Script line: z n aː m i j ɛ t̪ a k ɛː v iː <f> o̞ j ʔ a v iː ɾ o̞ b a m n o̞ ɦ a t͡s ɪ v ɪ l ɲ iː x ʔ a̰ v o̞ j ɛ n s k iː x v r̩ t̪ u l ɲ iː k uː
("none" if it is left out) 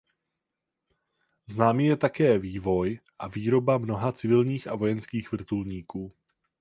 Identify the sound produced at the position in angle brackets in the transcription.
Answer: v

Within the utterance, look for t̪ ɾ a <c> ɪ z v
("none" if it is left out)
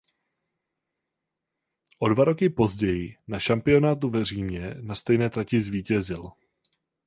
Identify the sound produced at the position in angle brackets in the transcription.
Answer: c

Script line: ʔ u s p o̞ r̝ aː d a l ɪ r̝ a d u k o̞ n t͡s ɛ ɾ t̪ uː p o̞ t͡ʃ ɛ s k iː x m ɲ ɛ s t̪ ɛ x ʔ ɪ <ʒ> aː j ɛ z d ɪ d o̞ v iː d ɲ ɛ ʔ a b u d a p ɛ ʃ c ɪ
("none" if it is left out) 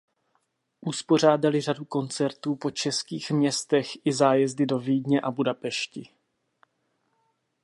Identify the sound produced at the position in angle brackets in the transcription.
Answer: z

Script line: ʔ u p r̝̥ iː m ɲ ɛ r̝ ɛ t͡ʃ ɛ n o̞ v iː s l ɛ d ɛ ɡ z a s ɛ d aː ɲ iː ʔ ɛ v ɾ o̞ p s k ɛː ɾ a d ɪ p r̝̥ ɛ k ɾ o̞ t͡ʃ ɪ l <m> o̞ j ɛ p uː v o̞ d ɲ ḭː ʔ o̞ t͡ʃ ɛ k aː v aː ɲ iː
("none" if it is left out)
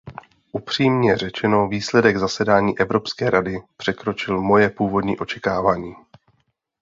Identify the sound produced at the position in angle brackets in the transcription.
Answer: m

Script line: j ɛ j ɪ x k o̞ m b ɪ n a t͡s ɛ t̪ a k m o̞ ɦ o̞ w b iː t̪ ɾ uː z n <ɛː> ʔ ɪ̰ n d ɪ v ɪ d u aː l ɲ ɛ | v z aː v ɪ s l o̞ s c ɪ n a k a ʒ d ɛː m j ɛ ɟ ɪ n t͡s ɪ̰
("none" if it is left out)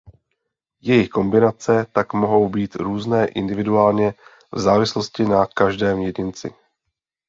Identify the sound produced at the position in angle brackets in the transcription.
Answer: ɛː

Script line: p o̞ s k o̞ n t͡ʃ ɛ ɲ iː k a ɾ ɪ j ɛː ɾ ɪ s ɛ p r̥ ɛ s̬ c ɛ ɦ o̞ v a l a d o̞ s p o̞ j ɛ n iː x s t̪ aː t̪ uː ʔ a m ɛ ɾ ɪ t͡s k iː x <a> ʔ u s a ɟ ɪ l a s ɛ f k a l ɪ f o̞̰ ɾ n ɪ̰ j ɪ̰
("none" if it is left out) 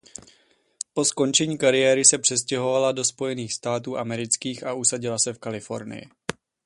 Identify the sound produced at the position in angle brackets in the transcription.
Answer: a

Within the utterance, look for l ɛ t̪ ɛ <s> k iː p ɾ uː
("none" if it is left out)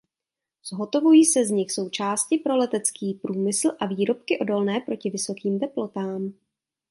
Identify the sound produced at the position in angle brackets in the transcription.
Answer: t͡s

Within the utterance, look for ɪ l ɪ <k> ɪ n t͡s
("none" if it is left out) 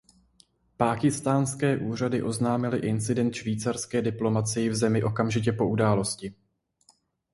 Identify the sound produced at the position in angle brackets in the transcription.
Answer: ʔ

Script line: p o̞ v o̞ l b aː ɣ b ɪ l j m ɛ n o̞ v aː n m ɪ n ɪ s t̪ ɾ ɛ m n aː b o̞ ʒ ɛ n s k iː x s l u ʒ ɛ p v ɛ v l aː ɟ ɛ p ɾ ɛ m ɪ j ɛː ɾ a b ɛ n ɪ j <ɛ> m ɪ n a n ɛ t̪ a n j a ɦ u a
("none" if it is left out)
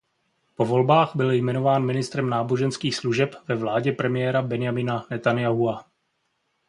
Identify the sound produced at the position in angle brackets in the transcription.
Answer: a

